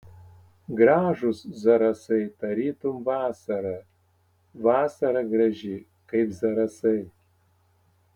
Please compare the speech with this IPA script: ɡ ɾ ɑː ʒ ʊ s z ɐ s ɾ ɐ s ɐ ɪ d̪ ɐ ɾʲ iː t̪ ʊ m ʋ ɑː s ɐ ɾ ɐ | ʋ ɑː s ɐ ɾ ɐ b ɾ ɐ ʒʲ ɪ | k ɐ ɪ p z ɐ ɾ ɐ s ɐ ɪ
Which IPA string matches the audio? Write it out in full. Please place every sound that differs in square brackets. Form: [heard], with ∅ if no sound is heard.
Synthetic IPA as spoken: ɡ ɾ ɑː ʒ ʊ s z ɐ [∅] ɾ ɐ s ɐ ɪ [t̪] ɐ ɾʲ iː t̪ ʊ m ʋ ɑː s ɐ ɾ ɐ | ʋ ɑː s ɐ ɾ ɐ [ɡ] ɾ ɐ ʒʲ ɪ | k ɐ ɪ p z ɐ ɾ ɐ s ɐ ɪ